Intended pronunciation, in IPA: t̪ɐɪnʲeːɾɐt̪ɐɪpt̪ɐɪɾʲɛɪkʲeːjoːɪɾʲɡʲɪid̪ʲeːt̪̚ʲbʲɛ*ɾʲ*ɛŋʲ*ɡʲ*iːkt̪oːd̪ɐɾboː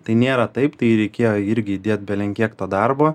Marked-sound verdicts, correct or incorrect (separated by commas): incorrect, incorrect